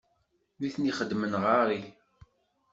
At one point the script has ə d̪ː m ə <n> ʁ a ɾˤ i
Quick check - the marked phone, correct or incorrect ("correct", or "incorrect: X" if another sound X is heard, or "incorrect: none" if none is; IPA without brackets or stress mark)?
correct